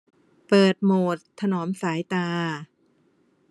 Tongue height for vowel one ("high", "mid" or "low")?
mid